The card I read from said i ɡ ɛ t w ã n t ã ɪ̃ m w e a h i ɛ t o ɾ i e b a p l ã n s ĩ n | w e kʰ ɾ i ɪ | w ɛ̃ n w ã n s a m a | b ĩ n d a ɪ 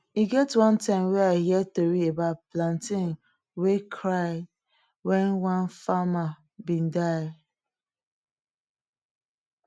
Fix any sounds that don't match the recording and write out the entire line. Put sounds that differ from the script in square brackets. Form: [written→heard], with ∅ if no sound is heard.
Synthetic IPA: i ɡ ɛ t w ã n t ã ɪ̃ m w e a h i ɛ t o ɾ i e b a p l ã n [s→t] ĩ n | w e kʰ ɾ [i→a] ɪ | w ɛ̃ n w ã n [s→f] a m a | b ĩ n d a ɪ